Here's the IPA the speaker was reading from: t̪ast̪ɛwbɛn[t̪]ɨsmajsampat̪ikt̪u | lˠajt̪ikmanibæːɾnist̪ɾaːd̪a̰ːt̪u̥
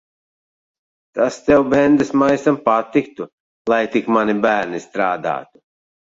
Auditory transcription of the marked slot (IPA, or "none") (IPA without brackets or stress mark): d̪